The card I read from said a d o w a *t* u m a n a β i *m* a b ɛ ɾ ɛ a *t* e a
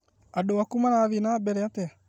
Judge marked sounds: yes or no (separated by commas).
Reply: no, no, yes